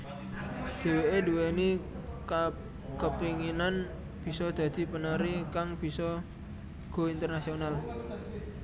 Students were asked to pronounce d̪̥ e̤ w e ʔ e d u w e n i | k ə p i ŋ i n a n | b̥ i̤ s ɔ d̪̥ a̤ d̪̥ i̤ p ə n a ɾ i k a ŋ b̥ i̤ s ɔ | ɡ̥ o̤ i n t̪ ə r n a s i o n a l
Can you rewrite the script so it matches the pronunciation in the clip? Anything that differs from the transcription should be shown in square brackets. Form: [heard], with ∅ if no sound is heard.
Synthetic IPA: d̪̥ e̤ w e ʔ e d u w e n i | k ə p i ŋ i n a n | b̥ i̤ s ɔ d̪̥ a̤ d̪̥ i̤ p ə n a ɾ i k a ŋ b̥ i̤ s ɔ | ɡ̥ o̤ i n t̪ ə r n a s i o n a l